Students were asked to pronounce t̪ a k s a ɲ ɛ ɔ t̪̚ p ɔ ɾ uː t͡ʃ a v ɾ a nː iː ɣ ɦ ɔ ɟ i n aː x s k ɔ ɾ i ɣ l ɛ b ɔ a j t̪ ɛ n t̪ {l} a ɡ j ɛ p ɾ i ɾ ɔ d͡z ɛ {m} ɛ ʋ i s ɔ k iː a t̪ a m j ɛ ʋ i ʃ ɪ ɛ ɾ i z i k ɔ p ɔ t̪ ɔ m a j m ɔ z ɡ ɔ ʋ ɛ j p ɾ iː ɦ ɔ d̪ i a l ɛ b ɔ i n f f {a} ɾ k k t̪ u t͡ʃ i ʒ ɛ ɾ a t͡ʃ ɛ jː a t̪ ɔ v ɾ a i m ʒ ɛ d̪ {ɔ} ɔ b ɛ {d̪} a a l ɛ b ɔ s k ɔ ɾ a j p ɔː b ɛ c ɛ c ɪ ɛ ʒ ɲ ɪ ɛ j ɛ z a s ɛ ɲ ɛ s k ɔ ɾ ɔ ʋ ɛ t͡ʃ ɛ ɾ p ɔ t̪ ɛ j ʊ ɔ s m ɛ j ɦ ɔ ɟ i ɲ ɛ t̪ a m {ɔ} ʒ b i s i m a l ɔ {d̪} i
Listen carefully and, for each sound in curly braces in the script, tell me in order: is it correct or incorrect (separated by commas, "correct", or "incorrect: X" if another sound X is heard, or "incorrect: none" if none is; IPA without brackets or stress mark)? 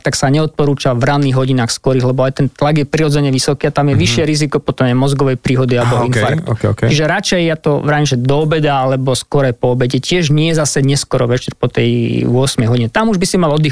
correct, incorrect: ɲ, correct, correct, correct, incorrect: u, correct